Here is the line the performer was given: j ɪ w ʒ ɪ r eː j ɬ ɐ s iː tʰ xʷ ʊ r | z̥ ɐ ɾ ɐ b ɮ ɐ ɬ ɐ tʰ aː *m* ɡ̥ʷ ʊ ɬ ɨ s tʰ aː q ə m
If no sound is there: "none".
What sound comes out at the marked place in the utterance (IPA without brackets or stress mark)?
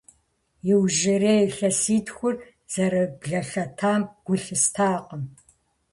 m